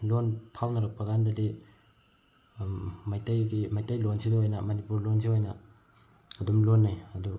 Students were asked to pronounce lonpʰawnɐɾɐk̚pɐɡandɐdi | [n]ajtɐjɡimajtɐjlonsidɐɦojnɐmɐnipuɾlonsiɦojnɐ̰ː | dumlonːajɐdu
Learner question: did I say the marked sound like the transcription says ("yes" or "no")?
no